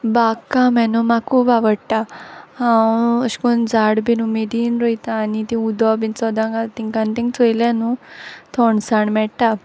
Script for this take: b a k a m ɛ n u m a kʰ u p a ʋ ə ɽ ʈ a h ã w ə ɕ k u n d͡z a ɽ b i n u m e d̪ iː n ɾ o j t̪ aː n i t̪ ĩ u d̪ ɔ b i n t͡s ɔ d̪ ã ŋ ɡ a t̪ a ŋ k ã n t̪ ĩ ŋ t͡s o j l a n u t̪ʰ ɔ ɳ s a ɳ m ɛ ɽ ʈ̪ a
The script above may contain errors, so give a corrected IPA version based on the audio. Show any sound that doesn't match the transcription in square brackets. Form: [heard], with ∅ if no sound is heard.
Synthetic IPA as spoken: b a k a m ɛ n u m a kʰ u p a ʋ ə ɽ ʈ a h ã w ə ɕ k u n d͡z a ɽ b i n u m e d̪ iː n ɾ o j t̪ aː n i t̪ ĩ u d̪ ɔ b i n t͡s ɔ d̪ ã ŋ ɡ a t̪ [i] ŋ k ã n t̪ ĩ ŋ t͡s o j l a n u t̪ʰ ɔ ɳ s a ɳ m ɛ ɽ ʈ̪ a